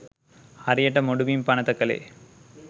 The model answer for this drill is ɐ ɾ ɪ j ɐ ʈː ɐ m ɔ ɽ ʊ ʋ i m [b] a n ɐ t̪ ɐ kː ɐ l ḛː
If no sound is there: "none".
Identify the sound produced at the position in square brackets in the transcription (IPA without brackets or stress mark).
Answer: p